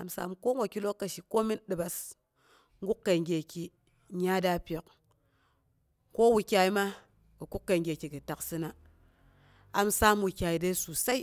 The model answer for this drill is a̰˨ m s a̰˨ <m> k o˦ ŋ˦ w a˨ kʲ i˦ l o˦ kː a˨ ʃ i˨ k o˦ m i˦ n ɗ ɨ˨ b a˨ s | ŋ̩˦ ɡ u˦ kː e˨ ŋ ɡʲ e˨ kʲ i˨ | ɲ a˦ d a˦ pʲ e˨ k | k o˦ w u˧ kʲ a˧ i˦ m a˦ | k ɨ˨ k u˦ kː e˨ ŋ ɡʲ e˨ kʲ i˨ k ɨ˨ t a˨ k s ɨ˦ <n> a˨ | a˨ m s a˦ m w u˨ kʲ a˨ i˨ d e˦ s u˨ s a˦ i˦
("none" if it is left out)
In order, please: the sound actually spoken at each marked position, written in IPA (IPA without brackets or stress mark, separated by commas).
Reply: m, n